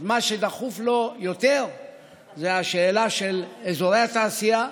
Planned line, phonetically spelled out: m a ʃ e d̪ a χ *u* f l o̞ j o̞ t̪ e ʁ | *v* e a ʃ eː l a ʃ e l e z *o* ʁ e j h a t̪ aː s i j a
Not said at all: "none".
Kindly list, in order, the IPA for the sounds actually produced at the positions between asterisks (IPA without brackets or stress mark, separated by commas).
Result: u, z, o